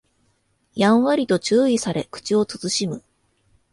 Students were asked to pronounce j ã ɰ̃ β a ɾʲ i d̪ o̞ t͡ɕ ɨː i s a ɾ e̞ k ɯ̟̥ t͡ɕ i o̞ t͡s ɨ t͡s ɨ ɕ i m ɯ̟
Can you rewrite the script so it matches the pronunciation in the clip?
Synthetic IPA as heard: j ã ɰ̃ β a ɾʲ i t̪ o̞ t͡ɕ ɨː i s a ɾ e̞ k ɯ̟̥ t͡ɕ i o̞ t͡s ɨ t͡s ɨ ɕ i m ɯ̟